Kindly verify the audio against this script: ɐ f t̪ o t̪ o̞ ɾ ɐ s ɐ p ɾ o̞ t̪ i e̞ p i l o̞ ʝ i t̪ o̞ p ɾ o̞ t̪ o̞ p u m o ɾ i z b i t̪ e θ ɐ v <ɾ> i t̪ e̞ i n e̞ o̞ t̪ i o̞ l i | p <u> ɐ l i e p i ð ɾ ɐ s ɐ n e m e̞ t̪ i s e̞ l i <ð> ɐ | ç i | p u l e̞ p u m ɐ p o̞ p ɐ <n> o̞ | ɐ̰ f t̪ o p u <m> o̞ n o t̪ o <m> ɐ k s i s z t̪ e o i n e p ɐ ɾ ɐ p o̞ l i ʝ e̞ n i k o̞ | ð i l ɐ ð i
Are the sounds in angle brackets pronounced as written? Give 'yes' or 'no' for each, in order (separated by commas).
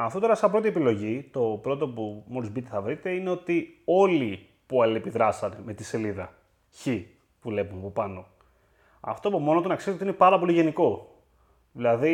yes, yes, yes, yes, yes, no